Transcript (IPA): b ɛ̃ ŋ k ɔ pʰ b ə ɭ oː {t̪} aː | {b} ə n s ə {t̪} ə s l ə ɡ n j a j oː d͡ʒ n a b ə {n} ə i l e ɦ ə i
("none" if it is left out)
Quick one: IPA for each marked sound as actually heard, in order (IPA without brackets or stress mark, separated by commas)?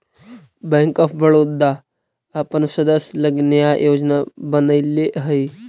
d̪, p, d̪, n